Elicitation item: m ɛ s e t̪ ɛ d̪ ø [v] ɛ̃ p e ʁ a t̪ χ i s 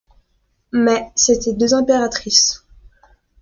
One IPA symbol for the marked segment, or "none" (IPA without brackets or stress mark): z